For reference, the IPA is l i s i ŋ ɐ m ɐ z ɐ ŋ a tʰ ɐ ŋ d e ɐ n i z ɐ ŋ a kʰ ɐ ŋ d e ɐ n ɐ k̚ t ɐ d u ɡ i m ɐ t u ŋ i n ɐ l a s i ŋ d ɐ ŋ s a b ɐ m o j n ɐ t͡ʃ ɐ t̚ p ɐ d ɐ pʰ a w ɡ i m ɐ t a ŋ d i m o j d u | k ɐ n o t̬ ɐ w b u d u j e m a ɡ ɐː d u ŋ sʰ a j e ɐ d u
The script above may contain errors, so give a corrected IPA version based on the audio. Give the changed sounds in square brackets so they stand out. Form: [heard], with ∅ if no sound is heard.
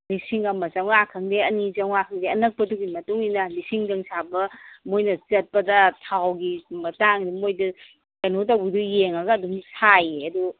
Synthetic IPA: l i s i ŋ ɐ m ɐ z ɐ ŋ a [kʰ] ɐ ŋ d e ɐ n i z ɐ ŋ a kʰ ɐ ŋ d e ɐ n ɐ k̚ [p] ɐ d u ɡ i m ɐ t u ŋ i n ɐ l [i] s i ŋ d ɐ ŋ s a b ɐ m o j n ɐ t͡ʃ ɐ t̚ p ɐ d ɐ [tʰ] a w ɡ i m ɐ t a ŋ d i m o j d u | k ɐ n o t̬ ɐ w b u d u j e [ŋ] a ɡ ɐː d u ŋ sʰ a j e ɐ d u